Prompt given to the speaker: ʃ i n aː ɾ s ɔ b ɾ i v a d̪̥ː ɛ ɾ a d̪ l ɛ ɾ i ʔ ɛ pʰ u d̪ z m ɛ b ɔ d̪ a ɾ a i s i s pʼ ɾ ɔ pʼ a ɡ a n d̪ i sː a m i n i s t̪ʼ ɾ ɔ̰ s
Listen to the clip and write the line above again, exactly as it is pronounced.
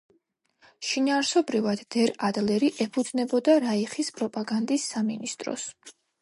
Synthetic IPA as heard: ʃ i n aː ɾ s ɔ b ɾ i v a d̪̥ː ɛ ɾ a d̪ l ɛ ɾ i ʔ ɛ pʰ u d̪ z n ɛ b ɔ d̪ a ɾ a i χ i s pʼ ɾ ɔ pʼ a ɡ a n d̪ i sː a m i n i s t̪ʼ ɾ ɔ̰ s